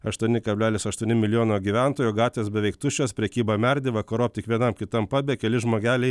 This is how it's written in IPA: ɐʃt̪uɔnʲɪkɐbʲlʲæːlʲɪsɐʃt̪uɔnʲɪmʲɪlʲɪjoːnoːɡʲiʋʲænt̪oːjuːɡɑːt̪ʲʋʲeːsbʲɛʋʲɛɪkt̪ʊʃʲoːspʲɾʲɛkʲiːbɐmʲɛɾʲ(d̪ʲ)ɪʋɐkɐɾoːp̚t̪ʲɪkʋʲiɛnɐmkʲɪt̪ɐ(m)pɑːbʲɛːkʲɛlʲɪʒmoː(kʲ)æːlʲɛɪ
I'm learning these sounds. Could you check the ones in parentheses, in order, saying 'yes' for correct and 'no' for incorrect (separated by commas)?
yes, yes, no